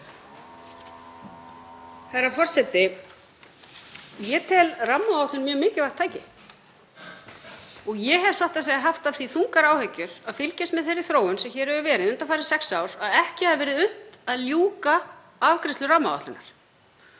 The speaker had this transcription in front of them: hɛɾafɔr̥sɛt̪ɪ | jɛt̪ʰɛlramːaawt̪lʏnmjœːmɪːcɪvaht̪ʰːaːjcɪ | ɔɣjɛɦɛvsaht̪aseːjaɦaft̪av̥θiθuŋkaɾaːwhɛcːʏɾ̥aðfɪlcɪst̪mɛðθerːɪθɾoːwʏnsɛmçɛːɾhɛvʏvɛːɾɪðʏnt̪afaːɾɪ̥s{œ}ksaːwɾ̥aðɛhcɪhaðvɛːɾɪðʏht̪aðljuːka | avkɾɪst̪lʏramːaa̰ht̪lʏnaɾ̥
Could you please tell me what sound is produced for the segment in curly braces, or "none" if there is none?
ɛ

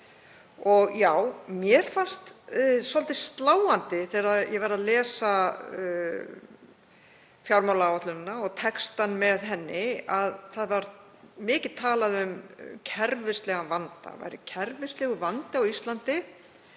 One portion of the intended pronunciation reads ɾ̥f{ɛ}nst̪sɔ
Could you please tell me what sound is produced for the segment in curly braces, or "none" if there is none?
a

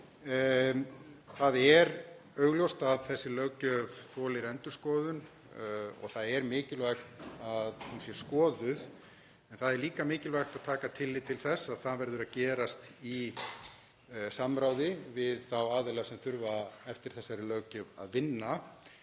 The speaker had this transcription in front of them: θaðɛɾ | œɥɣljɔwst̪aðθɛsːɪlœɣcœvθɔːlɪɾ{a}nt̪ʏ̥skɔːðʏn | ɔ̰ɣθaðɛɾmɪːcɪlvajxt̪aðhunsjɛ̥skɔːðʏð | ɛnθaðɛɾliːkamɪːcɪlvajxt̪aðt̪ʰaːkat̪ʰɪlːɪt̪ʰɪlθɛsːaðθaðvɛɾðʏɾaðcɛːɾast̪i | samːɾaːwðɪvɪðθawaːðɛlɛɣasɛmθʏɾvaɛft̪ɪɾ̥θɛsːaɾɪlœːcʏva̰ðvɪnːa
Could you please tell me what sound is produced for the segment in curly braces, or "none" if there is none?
ɛ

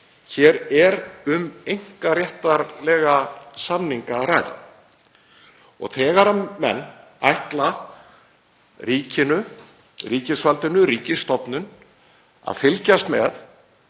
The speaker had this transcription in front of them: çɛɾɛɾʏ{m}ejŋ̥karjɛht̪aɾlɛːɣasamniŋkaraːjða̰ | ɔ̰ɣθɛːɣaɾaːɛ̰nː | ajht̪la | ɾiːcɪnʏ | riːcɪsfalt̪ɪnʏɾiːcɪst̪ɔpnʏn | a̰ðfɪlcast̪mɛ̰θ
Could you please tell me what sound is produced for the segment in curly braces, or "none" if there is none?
m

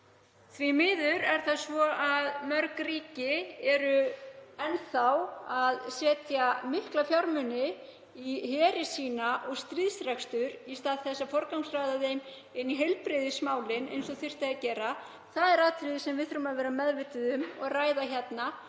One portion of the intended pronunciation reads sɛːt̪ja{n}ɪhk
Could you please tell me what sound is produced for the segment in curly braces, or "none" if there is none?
m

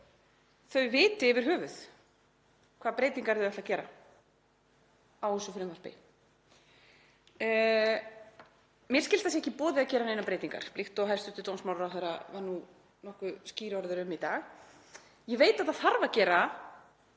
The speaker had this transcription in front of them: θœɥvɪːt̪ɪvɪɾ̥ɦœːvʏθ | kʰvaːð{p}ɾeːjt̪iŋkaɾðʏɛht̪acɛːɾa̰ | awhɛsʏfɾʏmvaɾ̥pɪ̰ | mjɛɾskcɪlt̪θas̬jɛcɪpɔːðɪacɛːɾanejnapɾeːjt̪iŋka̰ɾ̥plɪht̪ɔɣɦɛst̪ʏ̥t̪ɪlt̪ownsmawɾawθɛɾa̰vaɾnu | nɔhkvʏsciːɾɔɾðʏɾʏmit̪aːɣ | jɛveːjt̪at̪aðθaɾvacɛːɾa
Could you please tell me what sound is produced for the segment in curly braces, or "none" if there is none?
p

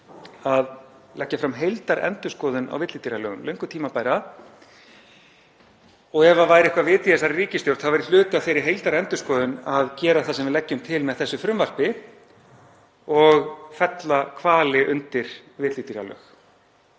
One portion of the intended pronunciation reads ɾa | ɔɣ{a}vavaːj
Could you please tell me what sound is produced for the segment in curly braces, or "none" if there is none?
ɛ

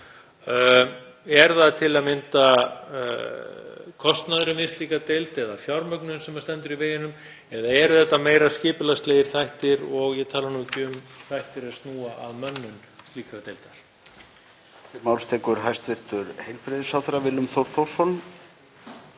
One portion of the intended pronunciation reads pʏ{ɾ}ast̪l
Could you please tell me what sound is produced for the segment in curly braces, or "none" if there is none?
l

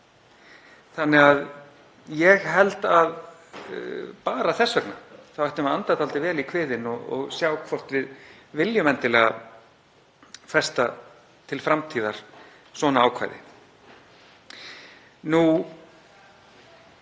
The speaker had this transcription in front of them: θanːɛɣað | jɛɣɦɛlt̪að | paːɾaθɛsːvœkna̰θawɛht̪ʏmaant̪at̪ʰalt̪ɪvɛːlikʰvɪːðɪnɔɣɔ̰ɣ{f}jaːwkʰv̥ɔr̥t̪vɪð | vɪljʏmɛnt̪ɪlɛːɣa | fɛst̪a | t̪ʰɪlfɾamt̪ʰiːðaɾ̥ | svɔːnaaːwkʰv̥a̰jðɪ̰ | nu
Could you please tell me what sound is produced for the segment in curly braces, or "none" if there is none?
s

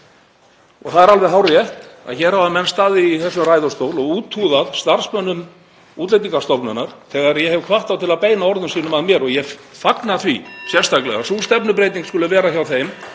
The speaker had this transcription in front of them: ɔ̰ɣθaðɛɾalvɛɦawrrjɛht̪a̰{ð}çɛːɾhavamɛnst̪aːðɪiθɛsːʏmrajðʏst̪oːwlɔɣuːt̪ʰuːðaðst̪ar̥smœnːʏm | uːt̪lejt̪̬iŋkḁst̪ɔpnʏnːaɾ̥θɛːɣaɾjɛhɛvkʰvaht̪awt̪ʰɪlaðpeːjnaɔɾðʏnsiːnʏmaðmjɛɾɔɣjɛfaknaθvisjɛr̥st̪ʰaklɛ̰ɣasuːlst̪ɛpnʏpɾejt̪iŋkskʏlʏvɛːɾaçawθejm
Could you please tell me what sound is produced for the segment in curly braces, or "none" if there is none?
ð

